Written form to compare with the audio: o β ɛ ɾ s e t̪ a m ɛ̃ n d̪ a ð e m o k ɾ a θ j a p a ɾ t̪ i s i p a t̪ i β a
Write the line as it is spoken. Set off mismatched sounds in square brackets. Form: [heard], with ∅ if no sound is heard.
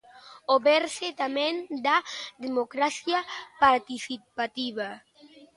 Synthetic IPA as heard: o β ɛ ɾ s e t̪ a m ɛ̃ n d̪ a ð e m o k ɾ a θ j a p a ɾ t̪ i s i p a t̪ i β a